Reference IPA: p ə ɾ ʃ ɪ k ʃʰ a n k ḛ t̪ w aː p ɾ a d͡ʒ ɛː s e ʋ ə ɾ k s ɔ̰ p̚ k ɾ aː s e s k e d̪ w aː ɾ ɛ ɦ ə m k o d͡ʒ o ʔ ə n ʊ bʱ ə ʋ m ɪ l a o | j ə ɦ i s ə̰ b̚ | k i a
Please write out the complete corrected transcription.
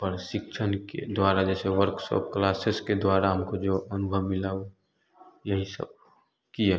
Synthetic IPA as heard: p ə ɾ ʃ ɪ k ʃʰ ə n k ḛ d̪ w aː ɾ a d͡ʒ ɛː s e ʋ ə ɾ k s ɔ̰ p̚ k l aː s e s k e d̪ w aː ɾ a ɦ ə m k o d͡ʒ o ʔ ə n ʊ bʱ ə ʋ m ɪ l a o | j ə ɦ i s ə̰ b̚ | k i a